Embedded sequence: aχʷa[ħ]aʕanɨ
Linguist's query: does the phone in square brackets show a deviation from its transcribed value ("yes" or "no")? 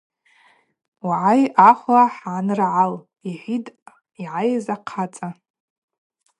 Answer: no